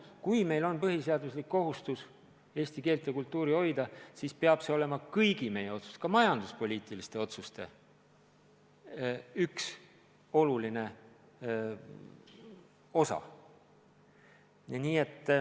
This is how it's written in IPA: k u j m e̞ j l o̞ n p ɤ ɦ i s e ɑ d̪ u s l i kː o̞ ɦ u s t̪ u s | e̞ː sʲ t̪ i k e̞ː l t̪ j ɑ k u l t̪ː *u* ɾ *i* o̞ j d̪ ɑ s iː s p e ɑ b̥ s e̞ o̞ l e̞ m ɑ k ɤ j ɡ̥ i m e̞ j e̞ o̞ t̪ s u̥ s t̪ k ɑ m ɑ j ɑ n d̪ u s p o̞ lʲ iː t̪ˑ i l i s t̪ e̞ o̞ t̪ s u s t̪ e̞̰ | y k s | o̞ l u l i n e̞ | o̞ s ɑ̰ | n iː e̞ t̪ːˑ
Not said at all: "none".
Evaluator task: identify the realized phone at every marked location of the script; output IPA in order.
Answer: uː, i

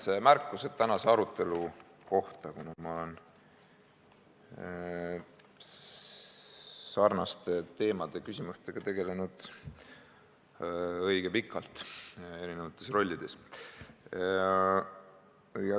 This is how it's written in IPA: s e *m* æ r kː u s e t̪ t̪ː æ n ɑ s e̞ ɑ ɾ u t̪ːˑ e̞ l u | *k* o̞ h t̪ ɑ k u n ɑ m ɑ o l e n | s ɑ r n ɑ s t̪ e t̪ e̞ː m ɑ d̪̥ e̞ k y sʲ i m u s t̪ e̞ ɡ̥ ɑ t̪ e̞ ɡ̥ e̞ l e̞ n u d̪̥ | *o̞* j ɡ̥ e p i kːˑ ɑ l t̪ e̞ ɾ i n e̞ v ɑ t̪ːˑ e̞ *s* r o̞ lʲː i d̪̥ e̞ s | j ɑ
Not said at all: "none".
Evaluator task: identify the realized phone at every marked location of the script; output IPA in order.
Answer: m, k, ɤ̞, s

